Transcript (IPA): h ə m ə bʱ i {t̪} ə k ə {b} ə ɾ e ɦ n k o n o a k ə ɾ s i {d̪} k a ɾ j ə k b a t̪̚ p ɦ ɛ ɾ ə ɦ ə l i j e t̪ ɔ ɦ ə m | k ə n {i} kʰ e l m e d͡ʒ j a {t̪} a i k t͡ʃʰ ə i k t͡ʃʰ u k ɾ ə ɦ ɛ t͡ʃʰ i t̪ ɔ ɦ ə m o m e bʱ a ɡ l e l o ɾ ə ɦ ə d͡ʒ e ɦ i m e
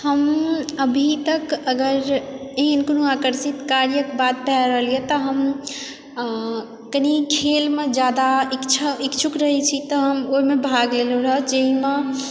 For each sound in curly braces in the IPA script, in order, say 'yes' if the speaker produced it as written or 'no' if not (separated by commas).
yes, no, no, yes, no